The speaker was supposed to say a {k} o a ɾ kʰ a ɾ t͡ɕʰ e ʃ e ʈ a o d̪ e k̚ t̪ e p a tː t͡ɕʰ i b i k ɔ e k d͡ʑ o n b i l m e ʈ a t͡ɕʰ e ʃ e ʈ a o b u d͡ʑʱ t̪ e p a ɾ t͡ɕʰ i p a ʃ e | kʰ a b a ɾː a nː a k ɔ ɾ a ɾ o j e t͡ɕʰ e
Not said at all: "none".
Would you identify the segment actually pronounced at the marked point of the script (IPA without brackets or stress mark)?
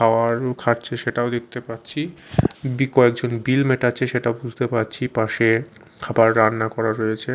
none